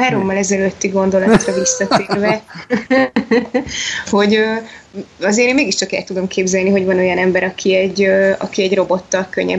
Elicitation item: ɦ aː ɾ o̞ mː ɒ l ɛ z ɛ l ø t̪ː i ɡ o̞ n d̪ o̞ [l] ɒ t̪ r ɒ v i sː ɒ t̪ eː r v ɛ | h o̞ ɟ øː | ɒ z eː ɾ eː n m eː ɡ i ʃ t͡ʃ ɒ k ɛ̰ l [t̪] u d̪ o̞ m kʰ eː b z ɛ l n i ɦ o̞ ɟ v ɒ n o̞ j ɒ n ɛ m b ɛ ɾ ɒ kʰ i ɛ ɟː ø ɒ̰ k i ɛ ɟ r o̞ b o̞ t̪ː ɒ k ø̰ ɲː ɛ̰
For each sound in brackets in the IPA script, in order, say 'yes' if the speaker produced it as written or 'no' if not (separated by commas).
yes, yes